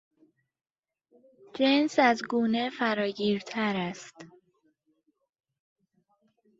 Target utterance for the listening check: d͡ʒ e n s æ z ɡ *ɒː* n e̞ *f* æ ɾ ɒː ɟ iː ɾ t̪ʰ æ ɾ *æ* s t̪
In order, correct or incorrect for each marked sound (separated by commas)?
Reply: incorrect, correct, correct